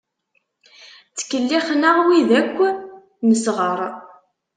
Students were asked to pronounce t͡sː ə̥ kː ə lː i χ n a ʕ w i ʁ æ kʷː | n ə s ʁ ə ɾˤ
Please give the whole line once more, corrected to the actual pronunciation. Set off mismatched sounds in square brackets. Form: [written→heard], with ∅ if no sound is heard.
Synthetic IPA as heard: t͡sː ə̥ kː ə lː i χ n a [ʕ→ʁ] w i [ʁ→ð] æ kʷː | n ə s ʁ ə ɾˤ